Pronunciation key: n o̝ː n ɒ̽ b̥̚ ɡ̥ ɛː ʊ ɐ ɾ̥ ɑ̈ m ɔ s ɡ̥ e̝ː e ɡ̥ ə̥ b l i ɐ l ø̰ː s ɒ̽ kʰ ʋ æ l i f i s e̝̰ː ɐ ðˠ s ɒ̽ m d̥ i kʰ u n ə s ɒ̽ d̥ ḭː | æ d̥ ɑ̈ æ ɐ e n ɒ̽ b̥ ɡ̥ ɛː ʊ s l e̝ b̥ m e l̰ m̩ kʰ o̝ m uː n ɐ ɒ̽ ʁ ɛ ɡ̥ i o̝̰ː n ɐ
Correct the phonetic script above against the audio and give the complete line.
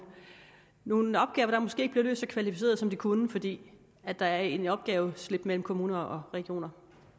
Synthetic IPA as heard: n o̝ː n ɒ̽ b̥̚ ɡ̥ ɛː ʊ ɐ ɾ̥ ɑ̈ m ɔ s ɡ̥ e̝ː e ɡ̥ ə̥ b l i ɐ l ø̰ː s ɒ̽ kʰ ʋ æ l i f i s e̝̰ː ɐ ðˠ s ɒ̽ m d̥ i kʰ u n ə f ɒ̽ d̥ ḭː | æ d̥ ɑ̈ æ ɐ e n ɒ̽ b̥ ɡ̥ ɛː ʊ s l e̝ b̥ m e l̰ m̩ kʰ o̝ m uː n ɐ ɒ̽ ʁ ɛ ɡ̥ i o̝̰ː n ɐ